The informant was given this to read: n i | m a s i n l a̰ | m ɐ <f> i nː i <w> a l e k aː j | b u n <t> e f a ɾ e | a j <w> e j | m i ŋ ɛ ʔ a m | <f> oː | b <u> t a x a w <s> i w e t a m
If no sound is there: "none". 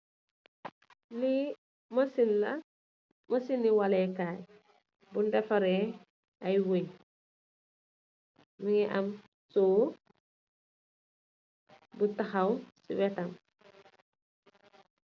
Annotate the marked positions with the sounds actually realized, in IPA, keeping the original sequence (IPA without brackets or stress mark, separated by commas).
s, w, d, w, s, u, s